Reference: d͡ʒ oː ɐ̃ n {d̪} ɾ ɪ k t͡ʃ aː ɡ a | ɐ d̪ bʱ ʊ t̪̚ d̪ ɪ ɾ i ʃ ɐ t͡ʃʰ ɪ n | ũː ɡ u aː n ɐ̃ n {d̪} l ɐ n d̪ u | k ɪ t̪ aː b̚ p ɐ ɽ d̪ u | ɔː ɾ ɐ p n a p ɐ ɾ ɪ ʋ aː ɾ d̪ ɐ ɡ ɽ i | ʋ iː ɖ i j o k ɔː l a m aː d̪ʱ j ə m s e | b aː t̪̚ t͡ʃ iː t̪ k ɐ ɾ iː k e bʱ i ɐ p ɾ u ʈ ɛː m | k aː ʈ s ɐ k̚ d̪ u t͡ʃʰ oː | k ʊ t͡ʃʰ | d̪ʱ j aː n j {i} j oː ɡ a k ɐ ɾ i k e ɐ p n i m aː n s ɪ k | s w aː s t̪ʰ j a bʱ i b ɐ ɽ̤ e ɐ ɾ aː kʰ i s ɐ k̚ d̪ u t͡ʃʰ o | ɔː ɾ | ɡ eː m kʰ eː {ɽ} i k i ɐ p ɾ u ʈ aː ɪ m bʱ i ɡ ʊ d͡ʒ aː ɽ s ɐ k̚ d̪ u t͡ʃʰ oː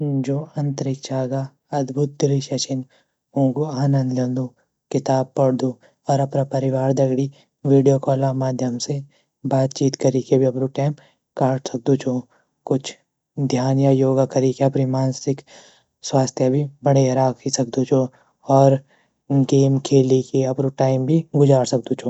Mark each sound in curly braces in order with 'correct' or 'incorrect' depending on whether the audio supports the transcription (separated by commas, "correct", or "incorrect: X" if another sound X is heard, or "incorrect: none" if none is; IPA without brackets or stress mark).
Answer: incorrect: t̪, correct, incorrect: a, incorrect: l